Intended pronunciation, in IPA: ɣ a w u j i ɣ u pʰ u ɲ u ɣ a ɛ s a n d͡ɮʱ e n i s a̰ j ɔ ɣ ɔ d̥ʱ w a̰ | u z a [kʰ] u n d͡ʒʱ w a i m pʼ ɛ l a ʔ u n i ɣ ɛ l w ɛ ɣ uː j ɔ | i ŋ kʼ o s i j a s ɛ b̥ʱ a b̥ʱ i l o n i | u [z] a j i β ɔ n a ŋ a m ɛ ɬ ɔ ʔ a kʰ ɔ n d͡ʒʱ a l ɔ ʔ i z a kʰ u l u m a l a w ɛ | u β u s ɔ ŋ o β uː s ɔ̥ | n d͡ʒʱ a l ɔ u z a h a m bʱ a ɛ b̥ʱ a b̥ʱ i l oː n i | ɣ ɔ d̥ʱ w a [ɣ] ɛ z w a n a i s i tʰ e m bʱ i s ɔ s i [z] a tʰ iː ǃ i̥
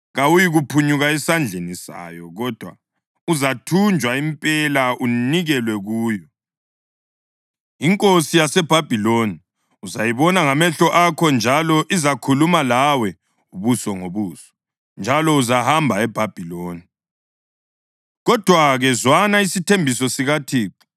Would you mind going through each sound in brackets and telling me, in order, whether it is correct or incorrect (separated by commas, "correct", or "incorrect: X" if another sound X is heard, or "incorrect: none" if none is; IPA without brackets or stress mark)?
incorrect: tʰ, correct, correct, incorrect: ɣ